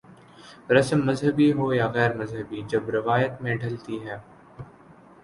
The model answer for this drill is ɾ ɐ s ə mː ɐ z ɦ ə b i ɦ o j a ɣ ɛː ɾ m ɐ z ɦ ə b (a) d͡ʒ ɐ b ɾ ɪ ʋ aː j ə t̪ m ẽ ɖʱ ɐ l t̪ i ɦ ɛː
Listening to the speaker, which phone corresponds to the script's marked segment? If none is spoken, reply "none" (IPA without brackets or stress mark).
i